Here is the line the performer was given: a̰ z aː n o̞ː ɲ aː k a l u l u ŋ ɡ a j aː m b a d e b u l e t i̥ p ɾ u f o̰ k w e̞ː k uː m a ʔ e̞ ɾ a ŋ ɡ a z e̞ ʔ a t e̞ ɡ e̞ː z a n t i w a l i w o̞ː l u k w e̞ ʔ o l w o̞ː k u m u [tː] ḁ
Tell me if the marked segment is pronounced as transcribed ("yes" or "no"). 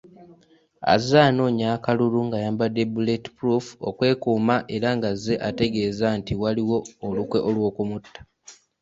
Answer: yes